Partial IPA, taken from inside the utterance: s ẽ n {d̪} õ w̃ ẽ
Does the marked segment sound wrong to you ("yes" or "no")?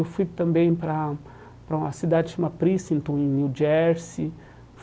yes